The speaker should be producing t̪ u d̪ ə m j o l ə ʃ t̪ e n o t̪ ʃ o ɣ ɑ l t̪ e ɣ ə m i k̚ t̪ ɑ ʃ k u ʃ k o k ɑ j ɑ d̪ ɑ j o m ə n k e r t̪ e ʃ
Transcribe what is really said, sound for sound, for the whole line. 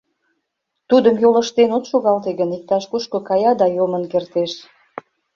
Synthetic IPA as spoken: t̪ u d̪ ə m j o l ə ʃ t̪ e n o t̪ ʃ o ɣ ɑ l t̪ e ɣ ə n i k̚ t̪ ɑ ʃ k u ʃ k o k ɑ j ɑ d̪ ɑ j o m ə n k e r t̪ e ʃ